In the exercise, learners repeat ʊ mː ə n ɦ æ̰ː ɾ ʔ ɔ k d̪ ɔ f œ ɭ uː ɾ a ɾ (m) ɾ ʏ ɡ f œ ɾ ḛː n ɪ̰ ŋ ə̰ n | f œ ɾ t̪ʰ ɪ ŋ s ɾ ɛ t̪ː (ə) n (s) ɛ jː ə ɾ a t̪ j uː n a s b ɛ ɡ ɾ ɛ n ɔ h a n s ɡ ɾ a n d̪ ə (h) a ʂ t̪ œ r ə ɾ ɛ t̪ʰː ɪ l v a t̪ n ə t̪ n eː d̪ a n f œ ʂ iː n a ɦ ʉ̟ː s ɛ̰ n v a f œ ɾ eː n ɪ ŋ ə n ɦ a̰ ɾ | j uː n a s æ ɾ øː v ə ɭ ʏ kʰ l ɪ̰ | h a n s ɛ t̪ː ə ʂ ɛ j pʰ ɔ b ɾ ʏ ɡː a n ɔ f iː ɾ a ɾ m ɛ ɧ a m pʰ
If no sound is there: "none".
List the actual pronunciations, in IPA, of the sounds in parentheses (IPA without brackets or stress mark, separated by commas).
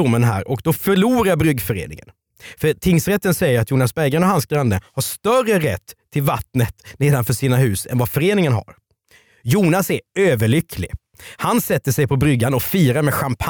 b, ə, s, h